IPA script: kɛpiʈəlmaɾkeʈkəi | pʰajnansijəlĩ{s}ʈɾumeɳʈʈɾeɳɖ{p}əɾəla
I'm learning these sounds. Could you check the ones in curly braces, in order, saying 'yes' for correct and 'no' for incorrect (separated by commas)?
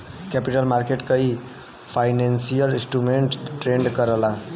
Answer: yes, no